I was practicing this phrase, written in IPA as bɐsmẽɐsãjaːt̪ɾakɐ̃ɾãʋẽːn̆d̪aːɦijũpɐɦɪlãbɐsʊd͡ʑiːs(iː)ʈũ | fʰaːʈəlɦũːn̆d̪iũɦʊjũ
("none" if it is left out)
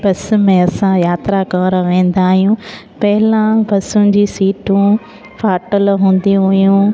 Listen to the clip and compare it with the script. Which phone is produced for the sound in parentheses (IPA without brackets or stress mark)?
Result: iː